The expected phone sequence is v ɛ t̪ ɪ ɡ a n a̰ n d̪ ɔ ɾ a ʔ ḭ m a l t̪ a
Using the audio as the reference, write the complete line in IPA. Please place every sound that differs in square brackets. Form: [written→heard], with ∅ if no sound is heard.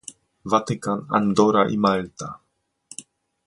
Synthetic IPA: v [ɛ→a] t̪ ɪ [ɡ→k] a n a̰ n d̪ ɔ ɾ a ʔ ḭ m a l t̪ a